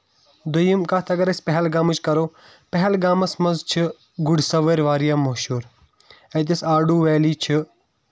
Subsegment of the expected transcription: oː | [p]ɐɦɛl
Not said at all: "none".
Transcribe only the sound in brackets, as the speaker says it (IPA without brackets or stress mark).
p